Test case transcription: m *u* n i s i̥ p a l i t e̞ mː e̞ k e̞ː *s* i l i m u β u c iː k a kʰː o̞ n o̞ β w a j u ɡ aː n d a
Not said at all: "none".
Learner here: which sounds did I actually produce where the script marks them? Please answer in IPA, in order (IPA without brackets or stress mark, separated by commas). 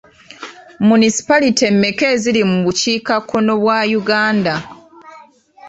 u, z